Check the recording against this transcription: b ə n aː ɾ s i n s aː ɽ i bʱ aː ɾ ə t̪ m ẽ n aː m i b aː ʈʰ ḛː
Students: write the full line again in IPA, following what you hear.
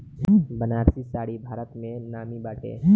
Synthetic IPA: b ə n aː ɾ s i s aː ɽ i bʱ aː ɾ ə t̪ m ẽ n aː m i b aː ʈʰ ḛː

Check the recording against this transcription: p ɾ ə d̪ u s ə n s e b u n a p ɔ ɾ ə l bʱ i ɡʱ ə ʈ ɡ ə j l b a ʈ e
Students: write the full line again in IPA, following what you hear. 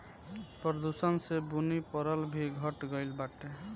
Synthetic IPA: p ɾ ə d̪ u s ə n s e b u n i p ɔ ɾ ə l bʱ i ɡʱ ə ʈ ɡ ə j l b a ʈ e

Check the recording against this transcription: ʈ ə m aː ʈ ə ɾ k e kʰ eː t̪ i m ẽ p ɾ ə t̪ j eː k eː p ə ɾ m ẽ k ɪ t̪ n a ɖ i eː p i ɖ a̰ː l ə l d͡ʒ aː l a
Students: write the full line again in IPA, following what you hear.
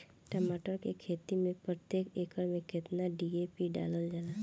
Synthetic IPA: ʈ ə m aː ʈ ə ɾ k e kʰ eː t̪ i m ẽ p ɾ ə t̪ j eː k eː k ə ɾ m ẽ k ɪ t̪ n a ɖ i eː p i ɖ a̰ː l ə l d͡ʒ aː l a

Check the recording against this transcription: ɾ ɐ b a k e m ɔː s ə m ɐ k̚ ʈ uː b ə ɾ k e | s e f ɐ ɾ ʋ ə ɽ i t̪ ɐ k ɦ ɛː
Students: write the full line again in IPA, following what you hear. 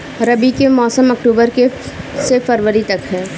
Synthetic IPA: ɾ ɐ b i k e m ɔː s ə m ɐ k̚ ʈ uː b ə ɾ k e | s e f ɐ ɾ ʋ ə ɾ i t̪ ɐ k ɦ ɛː

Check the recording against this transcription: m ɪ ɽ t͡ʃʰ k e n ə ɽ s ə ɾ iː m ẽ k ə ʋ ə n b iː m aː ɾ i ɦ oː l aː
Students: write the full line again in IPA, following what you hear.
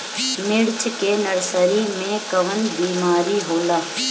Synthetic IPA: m ɪ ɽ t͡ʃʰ k e n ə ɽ s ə ɾ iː m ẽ k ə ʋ ə n b iː m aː ɾ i ɦ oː l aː

